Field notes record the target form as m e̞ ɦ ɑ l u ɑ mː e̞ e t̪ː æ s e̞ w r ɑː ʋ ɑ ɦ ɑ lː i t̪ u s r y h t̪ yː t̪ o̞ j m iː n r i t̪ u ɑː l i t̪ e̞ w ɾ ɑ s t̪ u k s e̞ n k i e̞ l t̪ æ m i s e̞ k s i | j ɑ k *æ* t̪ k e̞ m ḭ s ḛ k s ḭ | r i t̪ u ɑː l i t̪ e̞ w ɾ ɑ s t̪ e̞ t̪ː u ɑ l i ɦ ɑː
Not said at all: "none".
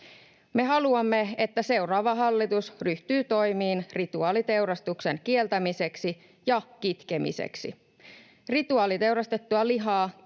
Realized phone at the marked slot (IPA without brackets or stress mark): i